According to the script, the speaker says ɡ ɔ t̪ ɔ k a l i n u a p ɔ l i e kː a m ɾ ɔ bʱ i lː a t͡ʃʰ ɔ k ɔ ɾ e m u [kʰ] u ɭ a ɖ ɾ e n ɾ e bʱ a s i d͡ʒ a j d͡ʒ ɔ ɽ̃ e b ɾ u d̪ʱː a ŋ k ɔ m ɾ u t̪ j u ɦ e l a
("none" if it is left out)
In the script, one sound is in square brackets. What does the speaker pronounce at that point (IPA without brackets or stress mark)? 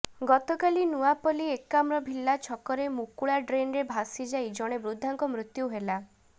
k